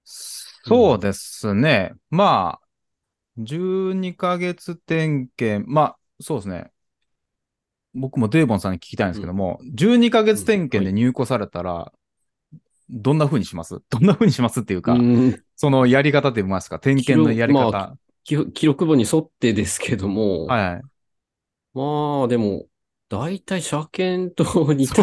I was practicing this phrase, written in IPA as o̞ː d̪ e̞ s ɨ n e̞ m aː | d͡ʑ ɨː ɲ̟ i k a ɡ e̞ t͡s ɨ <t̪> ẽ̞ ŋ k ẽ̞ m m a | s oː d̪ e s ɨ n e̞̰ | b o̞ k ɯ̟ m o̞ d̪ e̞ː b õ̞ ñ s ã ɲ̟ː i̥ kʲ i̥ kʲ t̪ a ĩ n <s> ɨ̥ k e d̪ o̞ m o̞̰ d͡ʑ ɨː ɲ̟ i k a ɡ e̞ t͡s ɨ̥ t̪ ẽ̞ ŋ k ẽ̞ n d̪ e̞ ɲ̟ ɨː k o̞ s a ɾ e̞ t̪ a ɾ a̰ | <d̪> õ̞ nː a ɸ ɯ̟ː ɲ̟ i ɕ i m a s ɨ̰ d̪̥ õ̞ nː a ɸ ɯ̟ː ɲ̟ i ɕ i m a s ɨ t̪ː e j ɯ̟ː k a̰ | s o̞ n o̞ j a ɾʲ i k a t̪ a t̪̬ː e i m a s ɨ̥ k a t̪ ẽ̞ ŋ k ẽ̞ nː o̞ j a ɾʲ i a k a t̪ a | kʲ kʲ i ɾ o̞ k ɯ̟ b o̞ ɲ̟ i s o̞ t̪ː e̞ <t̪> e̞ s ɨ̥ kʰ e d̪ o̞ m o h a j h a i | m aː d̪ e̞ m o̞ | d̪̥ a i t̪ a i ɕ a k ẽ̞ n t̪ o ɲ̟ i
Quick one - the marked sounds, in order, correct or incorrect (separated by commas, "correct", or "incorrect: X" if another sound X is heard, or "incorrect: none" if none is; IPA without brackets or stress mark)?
correct, correct, correct, incorrect: d̪